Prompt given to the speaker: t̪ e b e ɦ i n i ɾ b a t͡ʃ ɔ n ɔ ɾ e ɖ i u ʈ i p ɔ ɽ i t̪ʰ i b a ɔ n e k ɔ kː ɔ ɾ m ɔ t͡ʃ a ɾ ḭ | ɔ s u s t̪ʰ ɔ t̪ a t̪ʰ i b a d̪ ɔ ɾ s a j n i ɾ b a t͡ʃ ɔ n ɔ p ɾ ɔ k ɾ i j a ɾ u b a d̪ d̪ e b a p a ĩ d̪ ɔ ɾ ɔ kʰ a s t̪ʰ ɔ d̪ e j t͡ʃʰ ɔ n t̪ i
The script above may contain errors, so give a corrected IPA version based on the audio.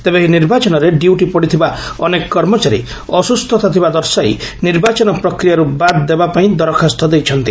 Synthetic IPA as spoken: t̪ e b e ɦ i n i ɾ b a t͡ʃ ɔ n ɔ ɾ e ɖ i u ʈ i p ɔ ɽ i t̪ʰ i b a ɔ n e k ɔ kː ɔ ɾ m ɔ t͡ʃ a ɾ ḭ | ɔ s u s t̪ʰ ɔ t̪ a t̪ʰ i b a d̪ ɔ ɾ s a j n i ɾ b a t͡ʃ ɔ n ɔ p ɾ ɔ k ɾ i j a ɾ u b a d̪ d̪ e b a p a ĩ d̪ ɔ ɾ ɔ kʰ a s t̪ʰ ɔ d̪ e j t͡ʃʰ ɔ n t̪ i